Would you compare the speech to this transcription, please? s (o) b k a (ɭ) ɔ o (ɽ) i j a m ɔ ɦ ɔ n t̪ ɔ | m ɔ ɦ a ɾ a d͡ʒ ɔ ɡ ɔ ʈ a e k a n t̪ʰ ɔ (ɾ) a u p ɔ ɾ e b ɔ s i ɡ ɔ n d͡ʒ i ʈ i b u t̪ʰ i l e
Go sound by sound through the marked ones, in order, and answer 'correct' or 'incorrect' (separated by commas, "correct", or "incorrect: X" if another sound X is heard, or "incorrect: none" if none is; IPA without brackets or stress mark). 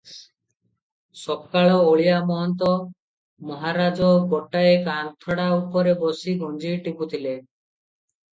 incorrect: ɔ, correct, incorrect: ɭ, incorrect: ɽ